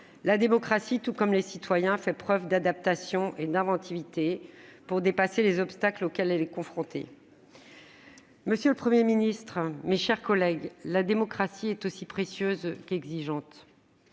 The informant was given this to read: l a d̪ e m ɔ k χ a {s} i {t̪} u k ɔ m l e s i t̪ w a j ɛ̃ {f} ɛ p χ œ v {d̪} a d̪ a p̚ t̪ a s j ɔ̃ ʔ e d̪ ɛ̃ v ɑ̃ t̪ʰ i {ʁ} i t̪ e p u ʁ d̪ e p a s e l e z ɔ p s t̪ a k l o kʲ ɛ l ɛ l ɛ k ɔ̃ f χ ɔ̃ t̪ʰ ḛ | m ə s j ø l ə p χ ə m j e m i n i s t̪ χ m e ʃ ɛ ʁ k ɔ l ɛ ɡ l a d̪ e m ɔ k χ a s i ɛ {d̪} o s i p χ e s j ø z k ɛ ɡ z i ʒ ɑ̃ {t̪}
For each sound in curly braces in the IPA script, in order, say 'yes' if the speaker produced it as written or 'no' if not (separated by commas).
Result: yes, yes, yes, yes, no, no, yes